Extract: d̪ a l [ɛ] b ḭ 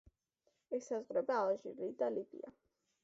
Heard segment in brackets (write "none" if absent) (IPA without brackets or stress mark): i